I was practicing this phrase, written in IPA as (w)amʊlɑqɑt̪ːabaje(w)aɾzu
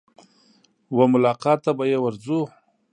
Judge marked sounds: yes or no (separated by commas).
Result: yes, yes